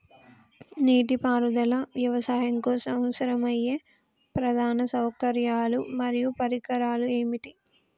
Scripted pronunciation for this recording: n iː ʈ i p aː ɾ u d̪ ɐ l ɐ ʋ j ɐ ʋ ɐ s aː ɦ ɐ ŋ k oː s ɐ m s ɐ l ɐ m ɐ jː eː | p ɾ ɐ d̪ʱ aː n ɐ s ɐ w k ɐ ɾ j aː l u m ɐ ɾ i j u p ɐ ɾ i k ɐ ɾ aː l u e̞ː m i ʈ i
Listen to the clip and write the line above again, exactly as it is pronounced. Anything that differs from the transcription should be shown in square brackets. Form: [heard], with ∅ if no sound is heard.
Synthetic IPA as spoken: n iː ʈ i p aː ɾ u d̪ ɐ l ɐ ʋ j ɐ ʋ ɐ s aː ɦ ɐ ŋ k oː s ɐ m s ɐ [ɾ] ɐ m ɐ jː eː | p ɾ ɐ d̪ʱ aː n ɐ s ɐ w k ɐ ɾ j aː l u m ɐ ɾ i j u p ɐ ɾ i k ɐ ɾ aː l u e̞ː m i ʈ i

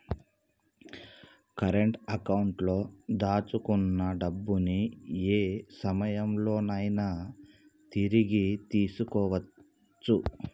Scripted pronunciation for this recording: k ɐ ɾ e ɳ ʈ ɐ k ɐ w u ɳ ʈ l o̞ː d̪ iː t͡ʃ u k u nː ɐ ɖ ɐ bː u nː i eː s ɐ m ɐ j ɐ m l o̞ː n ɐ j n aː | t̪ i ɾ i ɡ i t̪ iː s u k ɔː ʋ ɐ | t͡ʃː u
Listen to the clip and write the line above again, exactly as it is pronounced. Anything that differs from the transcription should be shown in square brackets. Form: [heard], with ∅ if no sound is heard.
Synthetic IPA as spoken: k ɐ ɾ e ɳ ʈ ɐ k ɐ w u ɳ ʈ l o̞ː d̪ [aː] t͡ʃ u k u nː ɐ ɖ ɐ bː u [n] i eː s ɐ m ɐ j ɐ m l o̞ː n ɐ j n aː | t̪ i ɾ i ɡ i t̪ iː s u k ɔː ʋ ɐ | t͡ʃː u

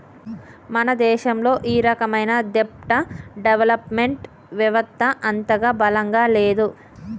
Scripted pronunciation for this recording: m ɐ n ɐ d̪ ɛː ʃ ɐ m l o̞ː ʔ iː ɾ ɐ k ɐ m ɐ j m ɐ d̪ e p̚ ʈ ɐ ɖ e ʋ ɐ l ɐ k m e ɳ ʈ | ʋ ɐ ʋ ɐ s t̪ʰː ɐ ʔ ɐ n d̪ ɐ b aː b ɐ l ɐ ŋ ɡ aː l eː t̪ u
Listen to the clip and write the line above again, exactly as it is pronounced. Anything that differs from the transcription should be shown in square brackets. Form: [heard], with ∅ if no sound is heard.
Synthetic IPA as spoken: m ɐ n ɐ d̪ ɛː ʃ ɐ m l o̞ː ʔ iː ɾ ɐ k ɐ m ɐ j [n] ɐ d̪ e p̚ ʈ ɐ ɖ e ʋ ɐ l ɐ [p] m e ɳ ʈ | ʋ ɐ ʋ ɐ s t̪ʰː ɐ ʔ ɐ n [t̪] ɐ [ɡ] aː b ɐ l ɐ ŋ ɡ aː l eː [d̪] u

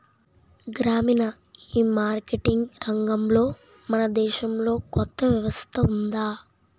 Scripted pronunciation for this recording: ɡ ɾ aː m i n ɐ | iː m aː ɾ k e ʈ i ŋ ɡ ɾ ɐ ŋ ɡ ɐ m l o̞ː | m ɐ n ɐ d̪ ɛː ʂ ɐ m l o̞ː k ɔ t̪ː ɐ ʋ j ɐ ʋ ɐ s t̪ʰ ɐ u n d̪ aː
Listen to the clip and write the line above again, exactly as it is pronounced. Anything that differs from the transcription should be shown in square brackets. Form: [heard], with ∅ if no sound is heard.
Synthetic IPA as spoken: ɡ ɾ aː m i n ɐ | iː m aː ɾ k e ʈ i ŋ ɡ ɾ ɐ ŋ ɡ ɐ m l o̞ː | m ɐ n ɐ d̪ ɛː [ʃ] ɐ m l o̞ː k ɔ t̪ː ɐ ʋ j ɐ ʋ ɐ s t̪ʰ ɐ u n d̪ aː

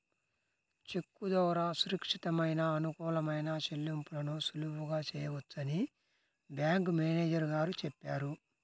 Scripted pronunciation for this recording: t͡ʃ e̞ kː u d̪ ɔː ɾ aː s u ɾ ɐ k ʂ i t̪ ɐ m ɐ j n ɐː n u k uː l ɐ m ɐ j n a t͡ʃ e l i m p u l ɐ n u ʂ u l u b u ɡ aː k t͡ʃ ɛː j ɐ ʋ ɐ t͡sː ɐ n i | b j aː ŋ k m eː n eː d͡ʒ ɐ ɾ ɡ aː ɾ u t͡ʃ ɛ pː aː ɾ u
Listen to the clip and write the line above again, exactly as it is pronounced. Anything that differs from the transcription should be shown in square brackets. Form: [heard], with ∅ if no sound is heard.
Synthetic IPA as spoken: t͡ʃ e̞ kː u d̪ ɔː ɾ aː s u ɾ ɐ k ʂ i t̪ ɐ m ɐ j n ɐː n u k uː l ɐ m ɐ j n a t͡ʃ e [lː] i m p u l ɐ n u [s] u l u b u ɡ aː [∅] t͡ʃ ɛː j ɐ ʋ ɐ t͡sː ɐ n i | b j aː ŋ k m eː n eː d͡ʒ ɐ ɾ ɡ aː ɾ u t͡ʃ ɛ pː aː ɾ u

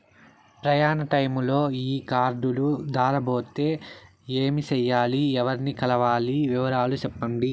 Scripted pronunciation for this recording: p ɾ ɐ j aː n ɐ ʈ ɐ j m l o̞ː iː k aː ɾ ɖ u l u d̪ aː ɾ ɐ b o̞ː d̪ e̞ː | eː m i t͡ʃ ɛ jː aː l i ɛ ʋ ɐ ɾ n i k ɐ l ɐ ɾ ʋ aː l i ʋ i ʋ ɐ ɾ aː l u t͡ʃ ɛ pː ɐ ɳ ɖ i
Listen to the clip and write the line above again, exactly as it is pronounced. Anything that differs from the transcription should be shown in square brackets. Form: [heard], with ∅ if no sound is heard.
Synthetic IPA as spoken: p ɾ ɐ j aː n ɐ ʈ ɐ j m l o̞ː iː k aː ɾ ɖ u l u d̪ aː ɾ ɐ b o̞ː [t̪] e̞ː | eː m i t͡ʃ ɛ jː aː l i ɛ ʋ ɐ ɾ n i k ɐ l ɐ [∅] ʋ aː l i ʋ i ʋ ɐ ɾ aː l u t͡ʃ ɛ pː ɐ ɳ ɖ i

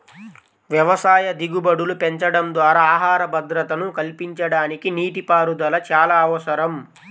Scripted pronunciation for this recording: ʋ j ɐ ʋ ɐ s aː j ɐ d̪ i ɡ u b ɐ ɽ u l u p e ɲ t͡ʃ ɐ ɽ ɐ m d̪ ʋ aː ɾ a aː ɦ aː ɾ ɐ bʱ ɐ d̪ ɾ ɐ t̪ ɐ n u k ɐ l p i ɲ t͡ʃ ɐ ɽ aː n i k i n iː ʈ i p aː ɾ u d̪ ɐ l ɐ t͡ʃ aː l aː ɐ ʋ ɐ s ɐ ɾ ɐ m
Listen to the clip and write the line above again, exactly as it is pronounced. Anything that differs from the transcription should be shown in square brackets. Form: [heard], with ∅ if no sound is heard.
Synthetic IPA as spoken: ʋ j ɐ ʋ ɐ s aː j ɐ d̪ i ɡ u b ɐ ɽ u l u p e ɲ t͡ʃ ɐ ɽ ɐ m d̪ ʋ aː ɾ a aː ɦ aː ɾ ɐ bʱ ɐ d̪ ɾ ɐ t̪ ɐ n u k ɐ l p i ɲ t͡ʃ ɐ ɽ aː n i k i n iː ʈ i p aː ɾ u d̪ ɐ l ɐ t͡ʃ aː l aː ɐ ʋ ɐ s ɐ ɾ ɐ m

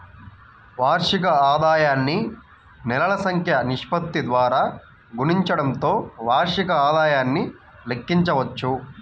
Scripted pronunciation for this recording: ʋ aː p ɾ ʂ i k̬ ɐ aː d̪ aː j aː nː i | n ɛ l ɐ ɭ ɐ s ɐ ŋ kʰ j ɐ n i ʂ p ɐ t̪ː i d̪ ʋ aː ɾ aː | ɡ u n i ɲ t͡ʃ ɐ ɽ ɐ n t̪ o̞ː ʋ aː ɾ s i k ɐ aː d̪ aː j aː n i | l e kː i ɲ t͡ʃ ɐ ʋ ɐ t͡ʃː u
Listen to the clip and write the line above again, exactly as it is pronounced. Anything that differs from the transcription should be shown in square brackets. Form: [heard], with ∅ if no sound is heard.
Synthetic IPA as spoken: ʋ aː [∅] ɾ ʂ i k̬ ɐ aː d̪ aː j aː nː i | n ɛ l ɐ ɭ ɐ s ɐ ŋ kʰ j ɐ n i ʂ p ɐ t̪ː i d̪ ʋ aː ɾ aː | ɡ u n i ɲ t͡ʃ ɐ ɽ ɐ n t̪ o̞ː ʋ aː ɾ [ʂ] i k ɐ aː d̪ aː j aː [nː] i | l e kː i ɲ t͡ʃ ɐ ʋ ɐ t͡ʃː u

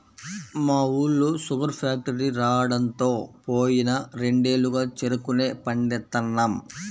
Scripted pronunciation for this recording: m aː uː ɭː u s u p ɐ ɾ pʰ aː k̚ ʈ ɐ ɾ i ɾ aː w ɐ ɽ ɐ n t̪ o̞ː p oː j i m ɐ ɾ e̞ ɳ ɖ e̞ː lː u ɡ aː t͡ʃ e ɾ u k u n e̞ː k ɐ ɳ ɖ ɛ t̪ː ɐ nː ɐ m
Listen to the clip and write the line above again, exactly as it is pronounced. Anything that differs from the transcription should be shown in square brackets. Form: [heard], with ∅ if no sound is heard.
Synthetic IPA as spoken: m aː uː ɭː u s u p ɐ ɾ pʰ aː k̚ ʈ ɐ ɾ i ɾ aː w ɐ ɽ ɐ n t̪ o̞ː p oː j i [n] ɐ ɾ e̞ ɳ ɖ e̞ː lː u ɡ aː t͡ʃ e ɾ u k u n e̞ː [p] ɐ ɳ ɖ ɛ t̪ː ɐ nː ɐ m

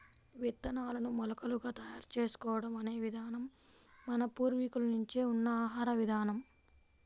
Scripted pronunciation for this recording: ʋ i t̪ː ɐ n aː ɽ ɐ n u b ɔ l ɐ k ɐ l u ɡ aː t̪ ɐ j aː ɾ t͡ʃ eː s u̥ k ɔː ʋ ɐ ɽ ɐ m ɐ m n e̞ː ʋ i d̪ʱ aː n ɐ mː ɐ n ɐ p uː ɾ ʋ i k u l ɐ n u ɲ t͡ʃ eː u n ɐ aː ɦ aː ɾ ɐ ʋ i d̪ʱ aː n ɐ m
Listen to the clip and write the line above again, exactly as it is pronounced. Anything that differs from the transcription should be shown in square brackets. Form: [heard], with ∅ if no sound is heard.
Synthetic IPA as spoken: ʋ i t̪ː ɐ n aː [l] ɐ n u [m] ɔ l ɐ k ɐ l u ɡ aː t̪ ɐ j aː ɾ t͡ʃ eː s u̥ k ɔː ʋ ɐ ɽ ɐ m ɐ [∅] n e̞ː ʋ i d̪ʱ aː n ɐ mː ɐ n ɐ p uː ɾ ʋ i k u l ɐ n u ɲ t͡ʃ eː u [nː] ɐ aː ɦ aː ɾ ɐ ʋ i d̪ʱ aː n ɐ m

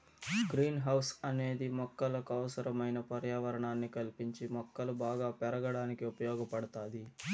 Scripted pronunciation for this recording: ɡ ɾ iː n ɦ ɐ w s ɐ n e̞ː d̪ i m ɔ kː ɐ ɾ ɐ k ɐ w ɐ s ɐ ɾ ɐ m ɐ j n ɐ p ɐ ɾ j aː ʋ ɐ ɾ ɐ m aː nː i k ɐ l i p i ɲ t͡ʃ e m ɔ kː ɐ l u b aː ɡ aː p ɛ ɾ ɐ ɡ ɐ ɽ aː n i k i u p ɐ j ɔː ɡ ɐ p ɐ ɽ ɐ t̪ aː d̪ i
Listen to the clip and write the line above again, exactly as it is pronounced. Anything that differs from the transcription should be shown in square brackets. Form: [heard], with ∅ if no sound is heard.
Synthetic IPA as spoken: ɡ ɾ iː n ɦ ɐ w s ɐ n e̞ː d̪ i m ɔ kː ɐ [l] ɐ k ɐ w ɐ s ɐ ɾ ɐ m ɐ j n ɐ p ɐ ɾ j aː ʋ ɐ ɾ ɐ [ɳ] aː nː i k ɐ l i p i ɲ t͡ʃ [i] m ɔ kː ɐ l u b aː ɡ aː p ɛ ɾ ɐ ɡ ɐ ɽ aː n i k i u p ɐ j ɔː ɡ ɐ p ɐ ɽ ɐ t̪ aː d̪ i

